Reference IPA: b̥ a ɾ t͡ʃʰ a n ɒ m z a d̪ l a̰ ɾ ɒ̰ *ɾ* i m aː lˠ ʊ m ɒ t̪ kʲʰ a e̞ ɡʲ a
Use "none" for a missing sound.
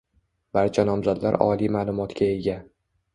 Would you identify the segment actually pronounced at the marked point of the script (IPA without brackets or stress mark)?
l